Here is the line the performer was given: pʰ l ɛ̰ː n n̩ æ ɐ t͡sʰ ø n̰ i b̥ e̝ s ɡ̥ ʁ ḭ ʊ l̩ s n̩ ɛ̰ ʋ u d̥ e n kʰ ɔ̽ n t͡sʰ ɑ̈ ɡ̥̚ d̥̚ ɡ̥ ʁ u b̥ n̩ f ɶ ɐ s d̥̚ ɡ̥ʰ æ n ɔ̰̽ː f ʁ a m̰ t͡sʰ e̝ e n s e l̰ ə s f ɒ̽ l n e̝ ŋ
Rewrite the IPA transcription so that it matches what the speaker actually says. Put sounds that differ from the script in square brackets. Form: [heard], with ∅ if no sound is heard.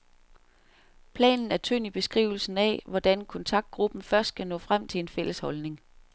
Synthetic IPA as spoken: pʰ l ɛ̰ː n n̩ æ ɐ t͡sʰ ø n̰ i b̥ e̝ s ɡ̥ ʁ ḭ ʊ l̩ s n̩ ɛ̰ ʋ [ɒ] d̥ [æ] n kʰ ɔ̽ n t͡sʰ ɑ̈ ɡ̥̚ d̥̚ ɡ̥ ʁ u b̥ n̩ f ɶ ɐ s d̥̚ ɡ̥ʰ æ n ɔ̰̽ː f ʁ a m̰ t͡sʰ e̝ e n [f] e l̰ ə s [h] ɒ̽ l n e̝ ŋ

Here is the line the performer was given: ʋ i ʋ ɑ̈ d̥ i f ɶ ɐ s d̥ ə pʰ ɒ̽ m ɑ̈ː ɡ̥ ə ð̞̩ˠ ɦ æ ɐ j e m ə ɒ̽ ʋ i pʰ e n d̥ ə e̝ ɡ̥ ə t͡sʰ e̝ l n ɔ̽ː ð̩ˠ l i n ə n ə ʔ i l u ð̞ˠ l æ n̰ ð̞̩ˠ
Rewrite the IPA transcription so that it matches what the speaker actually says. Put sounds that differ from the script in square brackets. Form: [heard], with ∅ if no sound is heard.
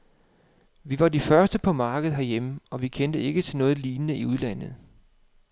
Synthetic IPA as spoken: ʋ i ʋ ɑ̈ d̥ i f ɶ ɐ s d̥ ə pʰ ɒ̽ m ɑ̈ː ɡ̥ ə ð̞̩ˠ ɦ æ ɐ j e m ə ɒ̽ ʋ i [kʰ] e n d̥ ə e̝ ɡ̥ ə t͡sʰ e̝ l n ɔ̽ː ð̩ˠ l [iː] n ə n ə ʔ i [∅] u ð̞ˠ l æ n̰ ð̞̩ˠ

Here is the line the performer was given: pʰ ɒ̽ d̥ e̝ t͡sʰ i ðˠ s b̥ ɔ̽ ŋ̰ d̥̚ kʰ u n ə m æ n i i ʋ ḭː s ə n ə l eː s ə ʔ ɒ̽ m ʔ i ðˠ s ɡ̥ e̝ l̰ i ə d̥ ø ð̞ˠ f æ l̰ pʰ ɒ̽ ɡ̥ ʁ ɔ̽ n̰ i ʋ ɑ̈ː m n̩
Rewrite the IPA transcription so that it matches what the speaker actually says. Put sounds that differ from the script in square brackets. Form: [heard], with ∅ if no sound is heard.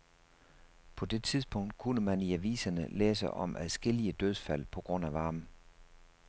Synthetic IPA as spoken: pʰ ɒ̽ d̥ e̝ t͡sʰ i ðˠ s b̥ ɔ̽ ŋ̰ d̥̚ kʰ u n ə m æ n i [æ] ʋ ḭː s [ɐ] n ə l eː s ə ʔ ɒ̽ m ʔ [æ] ðˠ s ɡ̥ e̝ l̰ i ə d̥ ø ð̞ˠ f æ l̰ pʰ ɒ̽ ɡ̥ ʁ ɔ̽ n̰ [æ] ʋ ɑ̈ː m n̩

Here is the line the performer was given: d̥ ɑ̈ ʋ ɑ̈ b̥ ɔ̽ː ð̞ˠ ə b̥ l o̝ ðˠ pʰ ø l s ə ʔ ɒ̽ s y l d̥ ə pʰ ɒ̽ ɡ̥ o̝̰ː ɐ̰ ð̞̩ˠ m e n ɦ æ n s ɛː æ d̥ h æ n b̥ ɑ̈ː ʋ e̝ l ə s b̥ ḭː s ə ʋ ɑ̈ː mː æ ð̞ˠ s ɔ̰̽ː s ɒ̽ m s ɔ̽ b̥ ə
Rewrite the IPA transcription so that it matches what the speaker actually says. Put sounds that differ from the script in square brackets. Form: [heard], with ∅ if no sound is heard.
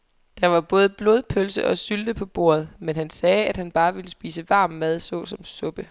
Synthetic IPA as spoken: d̥ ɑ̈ ʋ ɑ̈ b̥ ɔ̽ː ð̞ˠ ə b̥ l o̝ ðˠ pʰ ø l s ə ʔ ɒ̽ s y l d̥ ə pʰ ɒ̽ [b̥] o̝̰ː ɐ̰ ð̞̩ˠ m e n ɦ æ n s ɛː æ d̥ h æ n b̥ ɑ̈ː ʋ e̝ l ə s b̥ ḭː s ə ʋ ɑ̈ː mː æ ð̞ˠ s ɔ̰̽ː s ɒ̽ m s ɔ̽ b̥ ə

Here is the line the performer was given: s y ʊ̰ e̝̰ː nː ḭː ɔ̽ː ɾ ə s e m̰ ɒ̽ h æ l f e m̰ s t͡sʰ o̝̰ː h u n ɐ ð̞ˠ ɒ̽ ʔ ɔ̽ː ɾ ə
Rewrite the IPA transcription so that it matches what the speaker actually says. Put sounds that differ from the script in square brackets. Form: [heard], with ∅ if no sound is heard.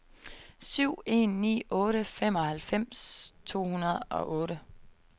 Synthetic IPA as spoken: s y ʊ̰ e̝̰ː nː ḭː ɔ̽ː ɾ ə [f] e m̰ ɒ̽ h æ l f e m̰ s t͡sʰ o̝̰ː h u n ɐ ð̞ˠ ɒ̽ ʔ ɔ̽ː ɾ ə

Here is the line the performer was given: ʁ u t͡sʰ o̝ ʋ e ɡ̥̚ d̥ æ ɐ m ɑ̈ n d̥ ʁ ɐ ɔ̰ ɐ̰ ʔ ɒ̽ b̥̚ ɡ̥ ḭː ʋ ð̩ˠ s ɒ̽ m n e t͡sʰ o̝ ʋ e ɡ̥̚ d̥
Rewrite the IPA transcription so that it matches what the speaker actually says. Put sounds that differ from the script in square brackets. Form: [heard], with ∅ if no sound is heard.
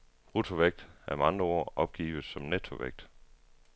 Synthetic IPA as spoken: ʁ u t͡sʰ o̝ ʋ e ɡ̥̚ d̥ æ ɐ m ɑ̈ n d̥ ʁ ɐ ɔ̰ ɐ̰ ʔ ɒ̽ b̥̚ ɡ̥ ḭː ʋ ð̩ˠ s ɒ̽ m n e t͡sʰ o̝ ʋ e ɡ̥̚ d̥

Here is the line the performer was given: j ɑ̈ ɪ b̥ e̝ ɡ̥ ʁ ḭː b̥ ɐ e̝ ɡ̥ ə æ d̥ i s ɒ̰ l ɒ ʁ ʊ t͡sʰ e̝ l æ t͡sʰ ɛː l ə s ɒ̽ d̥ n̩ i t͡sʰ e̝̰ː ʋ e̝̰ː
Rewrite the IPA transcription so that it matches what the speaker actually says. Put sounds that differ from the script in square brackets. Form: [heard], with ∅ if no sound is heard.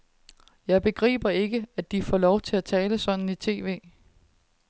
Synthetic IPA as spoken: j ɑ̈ ɪ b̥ e̝ ɡ̥ ʁ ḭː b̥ ɐ e̝ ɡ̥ ə æ d̥ i [f] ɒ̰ l ɒ [∅] ʊ t͡sʰ e̝ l æ t͡sʰ ɛː l ə s ɒ̽ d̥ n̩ i t͡sʰ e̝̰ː ʋ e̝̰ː

